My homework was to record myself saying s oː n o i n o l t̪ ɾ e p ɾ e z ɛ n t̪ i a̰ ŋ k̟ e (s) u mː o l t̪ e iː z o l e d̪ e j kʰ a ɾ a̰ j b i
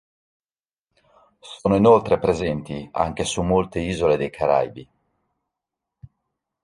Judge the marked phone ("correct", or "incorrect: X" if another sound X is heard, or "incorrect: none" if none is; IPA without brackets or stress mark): correct